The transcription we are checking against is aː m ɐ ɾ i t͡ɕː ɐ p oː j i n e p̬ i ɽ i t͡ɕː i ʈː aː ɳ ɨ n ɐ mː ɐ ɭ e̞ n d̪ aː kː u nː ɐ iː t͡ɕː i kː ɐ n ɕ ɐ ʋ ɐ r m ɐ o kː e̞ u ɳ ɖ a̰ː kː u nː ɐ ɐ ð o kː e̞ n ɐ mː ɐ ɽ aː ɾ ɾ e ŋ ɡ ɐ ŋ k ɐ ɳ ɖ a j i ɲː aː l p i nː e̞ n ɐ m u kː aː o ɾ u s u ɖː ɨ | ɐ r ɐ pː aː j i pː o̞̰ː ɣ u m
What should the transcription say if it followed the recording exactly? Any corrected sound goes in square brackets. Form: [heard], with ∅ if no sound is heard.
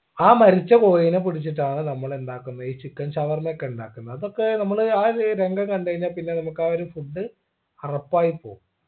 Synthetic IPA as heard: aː m ɐ ɾ i t͡ɕː ɐ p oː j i n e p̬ i ɽ i t͡ɕː i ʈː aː ɳ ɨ n ɐ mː ɐ ɭ e̞ n d̪ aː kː u nː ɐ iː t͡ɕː i kː ɐ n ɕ ɐ ʋ ɐ r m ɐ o kː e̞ u ɳ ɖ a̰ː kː u nː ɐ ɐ ð o kː e̞ n ɐ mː ɐ [ɭ] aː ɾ ɾ e ŋ ɡ ɐ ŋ k ɐ ɳ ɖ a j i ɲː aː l p i nː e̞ n ɐ m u kː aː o ɾ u [f] u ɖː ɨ | ɐ r ɐ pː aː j i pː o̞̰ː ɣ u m